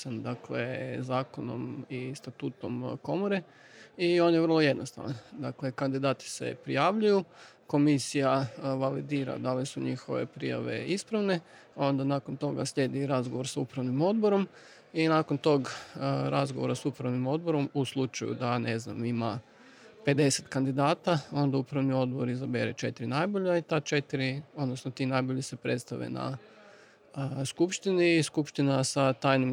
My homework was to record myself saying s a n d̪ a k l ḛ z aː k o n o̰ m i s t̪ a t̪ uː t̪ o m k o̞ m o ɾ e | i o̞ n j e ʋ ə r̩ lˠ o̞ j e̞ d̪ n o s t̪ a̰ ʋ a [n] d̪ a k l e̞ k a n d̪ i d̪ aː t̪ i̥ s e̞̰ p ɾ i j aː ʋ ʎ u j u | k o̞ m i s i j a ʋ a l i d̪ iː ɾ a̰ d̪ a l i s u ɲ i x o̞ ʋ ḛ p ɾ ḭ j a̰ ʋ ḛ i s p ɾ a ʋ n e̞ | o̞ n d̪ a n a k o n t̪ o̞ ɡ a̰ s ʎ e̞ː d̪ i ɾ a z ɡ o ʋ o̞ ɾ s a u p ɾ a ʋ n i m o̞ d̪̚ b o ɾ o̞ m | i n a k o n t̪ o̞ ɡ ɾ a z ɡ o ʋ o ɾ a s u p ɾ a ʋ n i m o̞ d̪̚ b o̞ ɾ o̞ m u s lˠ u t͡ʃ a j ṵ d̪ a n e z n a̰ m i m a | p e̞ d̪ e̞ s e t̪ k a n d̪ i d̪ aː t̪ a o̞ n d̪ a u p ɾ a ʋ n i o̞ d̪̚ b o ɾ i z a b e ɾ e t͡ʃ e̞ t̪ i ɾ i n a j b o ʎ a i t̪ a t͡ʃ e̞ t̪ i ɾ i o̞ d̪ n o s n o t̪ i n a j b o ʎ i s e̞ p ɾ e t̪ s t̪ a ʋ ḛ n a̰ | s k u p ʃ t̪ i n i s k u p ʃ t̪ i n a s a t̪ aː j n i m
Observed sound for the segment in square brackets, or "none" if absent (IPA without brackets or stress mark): n